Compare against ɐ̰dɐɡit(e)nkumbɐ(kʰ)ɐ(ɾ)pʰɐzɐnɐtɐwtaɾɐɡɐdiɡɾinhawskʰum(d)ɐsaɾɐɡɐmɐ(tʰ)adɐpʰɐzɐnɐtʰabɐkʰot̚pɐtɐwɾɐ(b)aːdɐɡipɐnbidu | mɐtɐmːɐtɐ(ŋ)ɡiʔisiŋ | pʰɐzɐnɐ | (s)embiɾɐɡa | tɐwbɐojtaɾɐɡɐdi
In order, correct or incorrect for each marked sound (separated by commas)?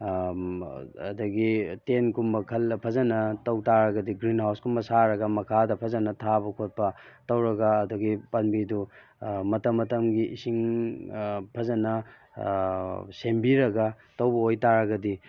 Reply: correct, correct, incorrect, incorrect, incorrect, incorrect, incorrect, correct